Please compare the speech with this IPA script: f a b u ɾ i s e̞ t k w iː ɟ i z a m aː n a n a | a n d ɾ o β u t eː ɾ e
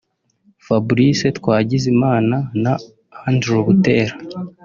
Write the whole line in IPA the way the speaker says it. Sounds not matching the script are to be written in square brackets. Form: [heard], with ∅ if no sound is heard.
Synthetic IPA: f a b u ɾ i s e̞ t k w [aː] ɟ i z [i] m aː n a n a | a n d ɾ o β u t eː ɾ [a]